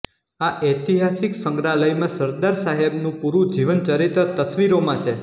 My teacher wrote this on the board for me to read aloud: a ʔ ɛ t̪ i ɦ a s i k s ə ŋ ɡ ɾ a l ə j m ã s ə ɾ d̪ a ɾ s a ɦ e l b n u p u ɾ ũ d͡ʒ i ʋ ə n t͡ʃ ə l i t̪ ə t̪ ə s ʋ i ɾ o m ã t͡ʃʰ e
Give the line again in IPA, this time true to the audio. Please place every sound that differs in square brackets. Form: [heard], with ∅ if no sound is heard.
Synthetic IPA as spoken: a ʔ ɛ t̪ i ɦ a s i k s ə ŋ ɡ ɾ a l ə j m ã s ə ɾ d̪ a ɾ s a ɦ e [∅] b n [ũ] p u ɾ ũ d͡ʒ i ʋ ə n t͡ʃ ə [ɾ] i t̪ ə t̪ ə s ʋ i ɾ o m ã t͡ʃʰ e